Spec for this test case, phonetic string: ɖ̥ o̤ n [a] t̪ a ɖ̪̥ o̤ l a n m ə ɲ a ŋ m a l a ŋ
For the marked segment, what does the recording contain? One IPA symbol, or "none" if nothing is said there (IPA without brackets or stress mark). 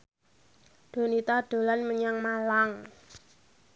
i